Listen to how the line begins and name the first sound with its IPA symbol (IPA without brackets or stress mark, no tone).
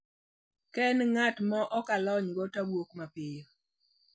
k